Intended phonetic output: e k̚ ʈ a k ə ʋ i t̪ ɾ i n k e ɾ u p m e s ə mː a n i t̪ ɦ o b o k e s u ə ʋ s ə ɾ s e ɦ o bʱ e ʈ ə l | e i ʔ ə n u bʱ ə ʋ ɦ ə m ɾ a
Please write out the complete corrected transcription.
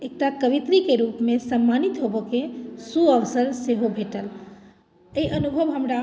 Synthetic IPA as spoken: e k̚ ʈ a k ə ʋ i t̪ ɾ i k e ɾ u p m e s ə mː a n i t̪ ɦ o b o k e s u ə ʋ s ə ɾ s e ɦ o bʱ e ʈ ə l | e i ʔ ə n u bʱ ə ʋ ɦ ə m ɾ a